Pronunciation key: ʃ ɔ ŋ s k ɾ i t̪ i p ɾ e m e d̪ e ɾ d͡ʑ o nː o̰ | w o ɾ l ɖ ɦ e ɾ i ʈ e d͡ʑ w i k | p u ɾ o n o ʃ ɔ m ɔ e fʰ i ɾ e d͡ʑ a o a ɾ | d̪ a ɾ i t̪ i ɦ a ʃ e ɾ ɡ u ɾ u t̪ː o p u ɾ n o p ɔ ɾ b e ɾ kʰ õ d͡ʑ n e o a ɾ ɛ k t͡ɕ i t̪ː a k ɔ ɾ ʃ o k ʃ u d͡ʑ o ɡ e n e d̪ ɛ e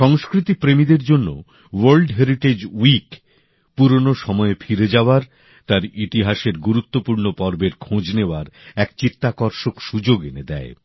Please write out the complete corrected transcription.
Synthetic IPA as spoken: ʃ ɔ ŋ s k ɾ i t̪ i p ɾ e m i d̪ e ɾ d͡ʑ o nː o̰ | w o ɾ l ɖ ɦ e ɾ i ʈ e d͡ʑ w i k | p u ɾ o n o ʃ ɔ m ɔ e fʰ i ɾ e d͡ʑ a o a ɾ | t̪ a ɾ i t̪ i ɦ a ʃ e ɾ ɡ u ɾ u t̪ː o p u ɾ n o p ɔ ɾ b e ɾ kʰ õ d͡ʑ n e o a ɾ ɛ k t͡ɕ i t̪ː a k ɔ ɾ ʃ o k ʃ u d͡ʑ o ɡ e n e d̪ ɛ e